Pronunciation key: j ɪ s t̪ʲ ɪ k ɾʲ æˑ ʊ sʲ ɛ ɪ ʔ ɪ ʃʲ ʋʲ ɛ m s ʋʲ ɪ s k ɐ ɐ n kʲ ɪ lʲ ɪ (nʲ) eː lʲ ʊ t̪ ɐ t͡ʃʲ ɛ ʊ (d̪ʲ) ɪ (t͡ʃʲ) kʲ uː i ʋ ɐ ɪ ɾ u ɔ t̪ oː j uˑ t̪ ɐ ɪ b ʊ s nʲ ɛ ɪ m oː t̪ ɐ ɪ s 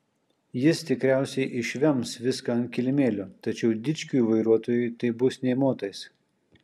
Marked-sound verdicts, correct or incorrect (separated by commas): incorrect, correct, correct